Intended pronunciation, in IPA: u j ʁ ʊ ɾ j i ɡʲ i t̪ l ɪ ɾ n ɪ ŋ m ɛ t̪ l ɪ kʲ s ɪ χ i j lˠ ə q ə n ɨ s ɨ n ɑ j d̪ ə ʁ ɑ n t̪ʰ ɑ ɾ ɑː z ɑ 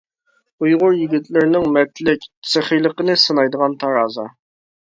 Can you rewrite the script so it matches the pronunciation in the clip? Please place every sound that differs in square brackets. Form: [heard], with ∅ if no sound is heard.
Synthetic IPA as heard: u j ʁ ʊ ɾ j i ɡʲ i t̪ l ɪ ɾ n ɪ ŋ m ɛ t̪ l ɪ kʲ s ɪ χ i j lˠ ə q ə n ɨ s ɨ n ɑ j d̪ ə ʁ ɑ n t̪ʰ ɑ ɾ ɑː z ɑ